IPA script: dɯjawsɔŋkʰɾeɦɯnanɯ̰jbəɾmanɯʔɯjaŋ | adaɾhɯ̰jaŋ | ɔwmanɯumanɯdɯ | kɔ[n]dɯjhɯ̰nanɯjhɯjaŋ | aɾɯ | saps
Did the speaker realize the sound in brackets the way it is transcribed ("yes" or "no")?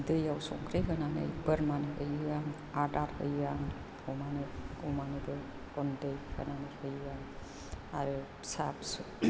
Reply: yes